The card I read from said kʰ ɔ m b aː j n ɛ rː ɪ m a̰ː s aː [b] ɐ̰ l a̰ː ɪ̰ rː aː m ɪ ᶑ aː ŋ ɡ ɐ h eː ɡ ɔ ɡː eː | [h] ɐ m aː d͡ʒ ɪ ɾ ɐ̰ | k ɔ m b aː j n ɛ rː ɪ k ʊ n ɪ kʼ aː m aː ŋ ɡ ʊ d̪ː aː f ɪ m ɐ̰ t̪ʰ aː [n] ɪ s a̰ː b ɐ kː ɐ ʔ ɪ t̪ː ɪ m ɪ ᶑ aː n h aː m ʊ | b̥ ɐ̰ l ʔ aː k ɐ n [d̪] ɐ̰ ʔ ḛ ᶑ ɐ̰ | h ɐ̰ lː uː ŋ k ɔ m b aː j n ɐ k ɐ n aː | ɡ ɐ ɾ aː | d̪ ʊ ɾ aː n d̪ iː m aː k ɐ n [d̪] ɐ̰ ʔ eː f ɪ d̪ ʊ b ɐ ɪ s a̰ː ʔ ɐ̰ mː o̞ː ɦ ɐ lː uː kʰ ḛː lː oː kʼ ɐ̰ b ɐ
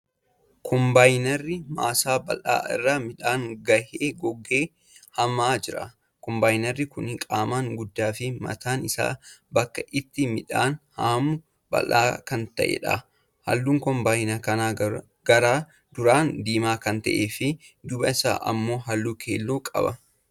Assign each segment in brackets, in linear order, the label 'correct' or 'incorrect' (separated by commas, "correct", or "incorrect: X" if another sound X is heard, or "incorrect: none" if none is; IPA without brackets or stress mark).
correct, correct, correct, incorrect: t̪, incorrect: t̪